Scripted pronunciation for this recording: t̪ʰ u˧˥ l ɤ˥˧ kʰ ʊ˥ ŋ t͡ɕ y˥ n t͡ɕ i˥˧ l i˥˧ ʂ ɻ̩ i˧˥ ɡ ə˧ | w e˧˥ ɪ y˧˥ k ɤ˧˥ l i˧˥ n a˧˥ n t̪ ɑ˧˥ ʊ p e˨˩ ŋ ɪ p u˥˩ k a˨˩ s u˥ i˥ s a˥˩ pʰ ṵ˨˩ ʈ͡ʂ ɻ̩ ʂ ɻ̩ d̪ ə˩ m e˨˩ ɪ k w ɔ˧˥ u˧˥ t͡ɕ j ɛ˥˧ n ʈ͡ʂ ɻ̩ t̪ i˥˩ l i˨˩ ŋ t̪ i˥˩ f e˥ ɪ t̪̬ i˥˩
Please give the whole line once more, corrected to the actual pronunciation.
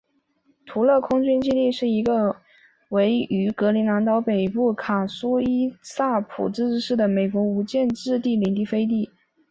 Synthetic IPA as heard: t̪ʰ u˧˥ l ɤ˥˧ kʰ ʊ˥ ŋ t͡ɕ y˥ n t͡ɕ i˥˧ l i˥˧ ʂ ɻ̩ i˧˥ ɡ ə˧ | w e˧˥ ɪ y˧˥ k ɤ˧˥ l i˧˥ n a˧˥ n t̪ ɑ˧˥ ʊ p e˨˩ ɪ p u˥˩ kʰ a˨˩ s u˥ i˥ s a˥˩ pʰ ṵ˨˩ ʈ͡ʂ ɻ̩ ʂ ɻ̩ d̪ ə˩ m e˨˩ ɪ k w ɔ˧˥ u˧˥ t͡ɕ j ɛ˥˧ n ʈ͡ʂ ɻ̩ t̪ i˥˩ l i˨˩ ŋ t̪ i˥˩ f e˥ ɪ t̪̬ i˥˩